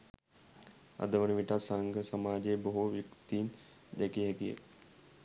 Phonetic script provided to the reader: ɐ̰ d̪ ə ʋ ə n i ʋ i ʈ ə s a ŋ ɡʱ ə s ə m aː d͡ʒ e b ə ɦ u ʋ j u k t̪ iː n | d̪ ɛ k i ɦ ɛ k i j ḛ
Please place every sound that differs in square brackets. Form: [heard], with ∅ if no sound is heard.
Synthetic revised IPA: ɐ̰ d̪ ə ʋ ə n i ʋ i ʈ [a] s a ŋ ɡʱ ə s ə m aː d͡ʒ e b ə ɦ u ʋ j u k t̪ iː n | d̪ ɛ k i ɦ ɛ k i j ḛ